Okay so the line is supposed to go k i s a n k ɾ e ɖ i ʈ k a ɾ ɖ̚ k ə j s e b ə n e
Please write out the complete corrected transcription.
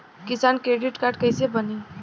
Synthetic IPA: k i s a n k ɾ e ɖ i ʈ k a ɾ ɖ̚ k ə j s e b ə n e